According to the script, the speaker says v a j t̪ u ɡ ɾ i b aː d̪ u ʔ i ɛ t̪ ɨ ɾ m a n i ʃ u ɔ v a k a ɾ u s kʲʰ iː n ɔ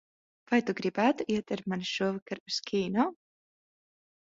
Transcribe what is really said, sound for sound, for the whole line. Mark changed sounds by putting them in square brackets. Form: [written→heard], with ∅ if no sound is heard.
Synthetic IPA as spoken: v a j t̪ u ɡ ɾ i b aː [d̪→t̪] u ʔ i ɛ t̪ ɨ ɾ m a n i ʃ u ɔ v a k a ɾ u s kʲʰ iː n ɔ